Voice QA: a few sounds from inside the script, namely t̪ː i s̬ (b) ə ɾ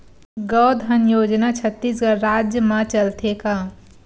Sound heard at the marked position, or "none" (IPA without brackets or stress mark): ɡ